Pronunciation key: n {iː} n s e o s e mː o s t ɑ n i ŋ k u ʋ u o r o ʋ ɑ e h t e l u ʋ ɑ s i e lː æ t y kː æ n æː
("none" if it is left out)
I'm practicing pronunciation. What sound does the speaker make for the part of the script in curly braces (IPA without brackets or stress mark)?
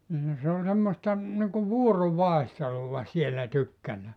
i